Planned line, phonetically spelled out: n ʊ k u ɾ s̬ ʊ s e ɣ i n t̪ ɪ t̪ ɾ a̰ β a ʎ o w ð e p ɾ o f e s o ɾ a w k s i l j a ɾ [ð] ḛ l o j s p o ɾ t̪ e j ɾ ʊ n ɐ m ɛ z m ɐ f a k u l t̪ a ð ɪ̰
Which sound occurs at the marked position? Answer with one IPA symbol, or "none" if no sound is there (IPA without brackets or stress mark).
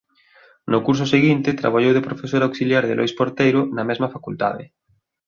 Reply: ð